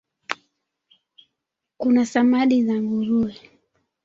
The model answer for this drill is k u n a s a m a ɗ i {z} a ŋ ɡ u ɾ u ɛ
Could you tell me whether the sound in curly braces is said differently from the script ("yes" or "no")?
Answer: no